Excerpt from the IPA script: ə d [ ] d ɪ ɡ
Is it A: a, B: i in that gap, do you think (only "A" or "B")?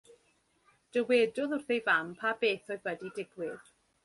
B